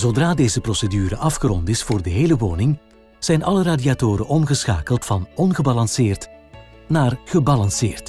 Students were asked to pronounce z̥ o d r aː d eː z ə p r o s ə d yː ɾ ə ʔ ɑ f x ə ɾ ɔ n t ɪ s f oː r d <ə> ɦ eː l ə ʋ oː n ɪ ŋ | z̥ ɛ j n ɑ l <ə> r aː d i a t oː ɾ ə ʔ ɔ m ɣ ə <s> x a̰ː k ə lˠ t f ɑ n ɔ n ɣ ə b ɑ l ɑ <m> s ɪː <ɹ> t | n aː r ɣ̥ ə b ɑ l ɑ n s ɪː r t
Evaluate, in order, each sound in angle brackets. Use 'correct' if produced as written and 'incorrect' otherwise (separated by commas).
correct, correct, correct, incorrect, incorrect